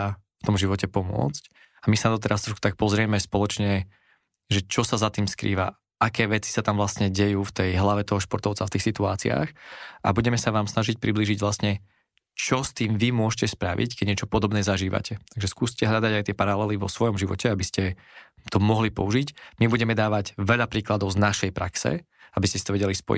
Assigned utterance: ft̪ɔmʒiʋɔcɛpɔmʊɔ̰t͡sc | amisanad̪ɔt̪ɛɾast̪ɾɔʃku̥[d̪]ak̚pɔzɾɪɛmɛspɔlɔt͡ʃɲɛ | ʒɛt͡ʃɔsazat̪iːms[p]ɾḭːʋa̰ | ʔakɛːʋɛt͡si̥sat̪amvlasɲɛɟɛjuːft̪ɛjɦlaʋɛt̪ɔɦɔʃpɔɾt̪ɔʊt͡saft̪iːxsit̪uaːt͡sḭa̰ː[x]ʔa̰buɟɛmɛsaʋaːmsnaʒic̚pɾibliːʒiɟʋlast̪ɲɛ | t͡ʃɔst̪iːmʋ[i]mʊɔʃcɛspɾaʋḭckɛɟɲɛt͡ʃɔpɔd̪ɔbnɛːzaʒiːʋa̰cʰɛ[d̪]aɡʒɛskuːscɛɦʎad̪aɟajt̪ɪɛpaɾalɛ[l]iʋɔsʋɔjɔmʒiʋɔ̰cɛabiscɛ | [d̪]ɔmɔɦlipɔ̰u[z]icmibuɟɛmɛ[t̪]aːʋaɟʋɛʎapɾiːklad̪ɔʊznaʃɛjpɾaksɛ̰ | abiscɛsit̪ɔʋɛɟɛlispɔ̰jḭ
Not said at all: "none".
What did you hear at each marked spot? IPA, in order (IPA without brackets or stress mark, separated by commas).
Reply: t̪, k, x, i, t̪, l, t̪, ʒ, d̪